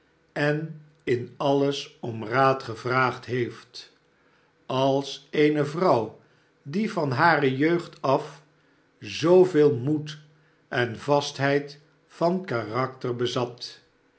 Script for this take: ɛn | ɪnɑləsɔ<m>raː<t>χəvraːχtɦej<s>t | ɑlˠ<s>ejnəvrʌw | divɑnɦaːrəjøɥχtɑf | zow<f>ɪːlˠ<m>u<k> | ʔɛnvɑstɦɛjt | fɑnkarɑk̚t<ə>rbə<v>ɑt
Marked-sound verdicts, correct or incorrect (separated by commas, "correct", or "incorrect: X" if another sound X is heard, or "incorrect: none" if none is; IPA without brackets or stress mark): correct, correct, incorrect: f, correct, incorrect: v, correct, incorrect: t, correct, incorrect: z